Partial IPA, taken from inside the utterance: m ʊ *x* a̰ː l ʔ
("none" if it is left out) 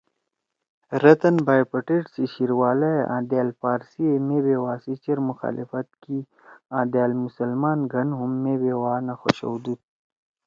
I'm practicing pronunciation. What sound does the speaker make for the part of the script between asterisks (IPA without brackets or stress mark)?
x